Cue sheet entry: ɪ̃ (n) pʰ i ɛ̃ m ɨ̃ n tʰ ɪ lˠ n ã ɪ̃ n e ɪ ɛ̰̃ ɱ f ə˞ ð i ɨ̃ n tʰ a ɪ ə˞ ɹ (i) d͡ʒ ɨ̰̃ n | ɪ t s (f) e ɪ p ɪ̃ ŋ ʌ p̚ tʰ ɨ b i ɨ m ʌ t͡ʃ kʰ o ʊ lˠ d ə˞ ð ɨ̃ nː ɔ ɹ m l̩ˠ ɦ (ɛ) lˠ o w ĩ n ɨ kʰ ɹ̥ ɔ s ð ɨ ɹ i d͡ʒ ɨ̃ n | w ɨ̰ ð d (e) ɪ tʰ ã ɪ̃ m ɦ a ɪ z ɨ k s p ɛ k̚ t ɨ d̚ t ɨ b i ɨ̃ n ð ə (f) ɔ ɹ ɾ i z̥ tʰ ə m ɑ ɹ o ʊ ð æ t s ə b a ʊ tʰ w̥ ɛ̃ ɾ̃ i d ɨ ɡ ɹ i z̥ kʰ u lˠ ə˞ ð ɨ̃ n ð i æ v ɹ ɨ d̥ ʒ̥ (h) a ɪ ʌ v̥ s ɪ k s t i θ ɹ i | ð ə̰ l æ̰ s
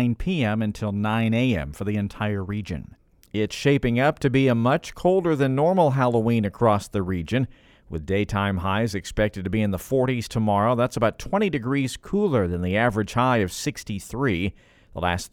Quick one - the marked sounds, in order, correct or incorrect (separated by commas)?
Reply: correct, correct, incorrect, incorrect, correct, correct, correct